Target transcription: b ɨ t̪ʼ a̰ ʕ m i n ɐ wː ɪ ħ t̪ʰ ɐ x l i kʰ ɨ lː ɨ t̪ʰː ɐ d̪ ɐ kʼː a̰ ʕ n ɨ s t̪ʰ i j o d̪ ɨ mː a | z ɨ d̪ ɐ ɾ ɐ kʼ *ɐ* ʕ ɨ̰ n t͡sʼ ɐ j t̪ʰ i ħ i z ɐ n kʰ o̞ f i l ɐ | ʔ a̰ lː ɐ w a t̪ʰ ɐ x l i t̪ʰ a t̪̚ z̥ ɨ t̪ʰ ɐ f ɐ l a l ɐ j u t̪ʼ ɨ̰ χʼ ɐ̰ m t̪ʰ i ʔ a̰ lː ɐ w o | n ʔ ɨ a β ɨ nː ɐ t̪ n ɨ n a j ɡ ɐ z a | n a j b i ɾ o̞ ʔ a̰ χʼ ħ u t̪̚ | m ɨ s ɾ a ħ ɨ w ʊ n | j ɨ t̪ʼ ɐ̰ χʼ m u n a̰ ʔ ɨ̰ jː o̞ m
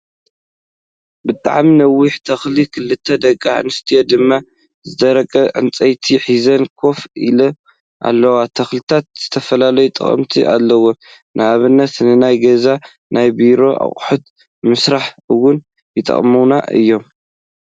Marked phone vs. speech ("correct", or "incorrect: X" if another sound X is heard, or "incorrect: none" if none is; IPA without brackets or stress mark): correct